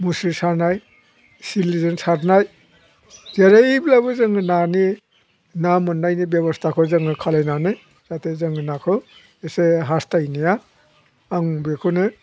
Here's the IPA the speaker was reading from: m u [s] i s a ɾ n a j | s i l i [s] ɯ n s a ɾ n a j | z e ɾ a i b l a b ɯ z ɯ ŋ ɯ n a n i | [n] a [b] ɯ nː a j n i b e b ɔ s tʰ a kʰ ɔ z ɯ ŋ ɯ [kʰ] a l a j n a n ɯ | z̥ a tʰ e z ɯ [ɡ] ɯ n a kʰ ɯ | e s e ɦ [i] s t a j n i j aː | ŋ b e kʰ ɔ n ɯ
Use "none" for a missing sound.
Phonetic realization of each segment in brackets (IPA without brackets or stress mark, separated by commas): s, z, n, m, kʰ, ŋ, a